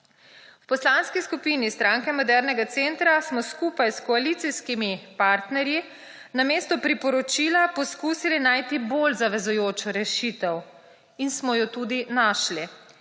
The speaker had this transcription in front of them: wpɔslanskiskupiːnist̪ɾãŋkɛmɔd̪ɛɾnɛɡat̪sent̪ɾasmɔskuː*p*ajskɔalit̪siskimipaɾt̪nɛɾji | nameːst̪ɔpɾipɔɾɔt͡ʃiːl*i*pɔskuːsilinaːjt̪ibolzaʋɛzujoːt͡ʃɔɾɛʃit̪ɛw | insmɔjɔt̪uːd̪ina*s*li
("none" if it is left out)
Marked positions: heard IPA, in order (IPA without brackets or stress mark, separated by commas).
p, a, ʃ